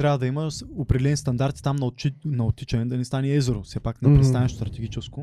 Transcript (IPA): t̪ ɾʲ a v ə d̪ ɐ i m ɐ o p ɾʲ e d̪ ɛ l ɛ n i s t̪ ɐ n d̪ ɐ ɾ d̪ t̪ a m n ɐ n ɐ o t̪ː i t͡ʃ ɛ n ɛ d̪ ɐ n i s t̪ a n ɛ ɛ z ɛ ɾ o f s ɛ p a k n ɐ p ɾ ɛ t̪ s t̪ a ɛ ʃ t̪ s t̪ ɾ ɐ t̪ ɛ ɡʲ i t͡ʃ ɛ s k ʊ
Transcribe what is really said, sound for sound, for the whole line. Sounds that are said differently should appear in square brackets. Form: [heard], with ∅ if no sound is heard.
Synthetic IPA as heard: t̪ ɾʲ a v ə d̪ ɐ i m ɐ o p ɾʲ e d̪ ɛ l ɛ n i s t̪ ɐ n d̪ [a] ɾ [t̪] t̪ a m n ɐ n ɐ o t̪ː i t͡ʃ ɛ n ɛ d̪ ɐ n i s t̪ a n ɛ ɛ z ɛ ɾ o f s ɛ p a k n ɐ p ɾ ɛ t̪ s t̪ a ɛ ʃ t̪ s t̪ ɾ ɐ t̪ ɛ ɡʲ i t͡ʃ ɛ s k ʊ